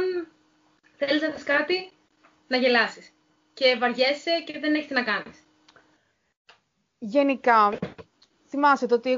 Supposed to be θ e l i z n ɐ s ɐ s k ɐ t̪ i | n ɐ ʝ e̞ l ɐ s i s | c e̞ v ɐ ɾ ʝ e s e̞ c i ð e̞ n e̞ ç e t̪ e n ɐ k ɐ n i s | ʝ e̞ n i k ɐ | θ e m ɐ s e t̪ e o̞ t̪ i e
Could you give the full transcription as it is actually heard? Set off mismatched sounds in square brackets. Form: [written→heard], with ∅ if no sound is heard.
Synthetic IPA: θ e l i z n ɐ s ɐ s k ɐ t̪ i | n ɐ ʝ e̞ l ɐ s i s | c e̞ v ɐ ɾ ʝ e s e̞ c [i→e] ð e̞ n e̞ ç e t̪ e n ɐ k ɐ n i s | ʝ e̞ n i k ɐ | θ [e→i] m ɐ s e t̪ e o̞ t̪ i e